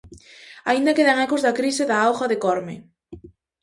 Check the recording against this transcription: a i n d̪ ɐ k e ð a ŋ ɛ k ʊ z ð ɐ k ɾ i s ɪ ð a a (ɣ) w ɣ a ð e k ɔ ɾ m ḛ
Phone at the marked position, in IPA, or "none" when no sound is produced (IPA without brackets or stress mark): none